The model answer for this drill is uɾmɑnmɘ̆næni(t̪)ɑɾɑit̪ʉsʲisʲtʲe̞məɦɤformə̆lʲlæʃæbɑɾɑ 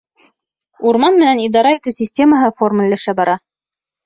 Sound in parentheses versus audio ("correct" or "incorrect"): incorrect